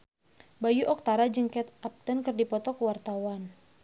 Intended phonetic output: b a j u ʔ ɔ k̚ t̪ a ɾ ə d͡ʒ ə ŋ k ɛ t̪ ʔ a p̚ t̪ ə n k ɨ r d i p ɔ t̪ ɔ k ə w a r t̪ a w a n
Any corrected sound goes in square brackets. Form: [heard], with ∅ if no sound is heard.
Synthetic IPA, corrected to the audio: b a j u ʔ ɔ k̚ t̪ a ɾ [a] d͡ʒ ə ŋ k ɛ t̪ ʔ a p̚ t̪ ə n k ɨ r d i p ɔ t̪ ɔ k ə w a r t̪ a w a n